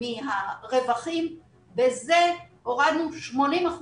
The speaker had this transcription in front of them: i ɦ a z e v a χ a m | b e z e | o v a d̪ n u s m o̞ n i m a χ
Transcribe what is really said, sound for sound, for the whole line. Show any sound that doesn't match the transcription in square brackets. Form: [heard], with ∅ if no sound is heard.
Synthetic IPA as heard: i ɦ a [ʁ] e v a χ [i] m | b e z e | o [ʁ] a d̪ n u [ʃ] m o̞ n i m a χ